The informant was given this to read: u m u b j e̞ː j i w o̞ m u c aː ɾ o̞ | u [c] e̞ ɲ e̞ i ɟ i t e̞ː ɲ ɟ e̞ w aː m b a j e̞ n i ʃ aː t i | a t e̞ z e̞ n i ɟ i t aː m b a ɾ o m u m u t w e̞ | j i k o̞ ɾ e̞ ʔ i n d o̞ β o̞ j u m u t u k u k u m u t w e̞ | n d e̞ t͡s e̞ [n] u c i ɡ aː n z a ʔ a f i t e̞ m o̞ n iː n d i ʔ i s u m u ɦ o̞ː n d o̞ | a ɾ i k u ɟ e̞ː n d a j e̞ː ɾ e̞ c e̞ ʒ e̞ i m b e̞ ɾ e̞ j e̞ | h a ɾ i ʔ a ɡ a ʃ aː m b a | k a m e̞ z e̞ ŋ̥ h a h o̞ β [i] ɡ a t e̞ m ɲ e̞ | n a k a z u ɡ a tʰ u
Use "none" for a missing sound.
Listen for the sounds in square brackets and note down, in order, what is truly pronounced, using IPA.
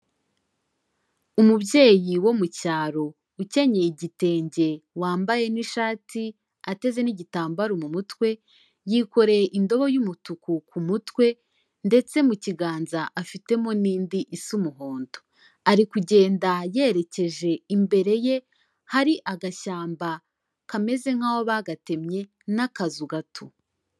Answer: c, m, a

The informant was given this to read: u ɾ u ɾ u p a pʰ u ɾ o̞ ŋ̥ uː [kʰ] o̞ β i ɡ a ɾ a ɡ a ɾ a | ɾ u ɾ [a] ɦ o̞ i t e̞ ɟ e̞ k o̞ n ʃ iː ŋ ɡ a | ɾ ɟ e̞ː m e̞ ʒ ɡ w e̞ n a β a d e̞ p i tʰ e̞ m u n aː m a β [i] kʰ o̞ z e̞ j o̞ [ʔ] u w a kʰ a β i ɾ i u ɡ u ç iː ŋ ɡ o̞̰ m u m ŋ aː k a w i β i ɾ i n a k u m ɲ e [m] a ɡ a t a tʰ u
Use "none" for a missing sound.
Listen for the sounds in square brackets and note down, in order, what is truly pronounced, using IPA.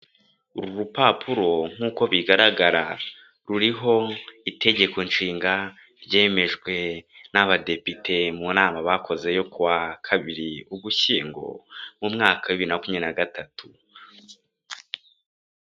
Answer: k, i, a, k, n

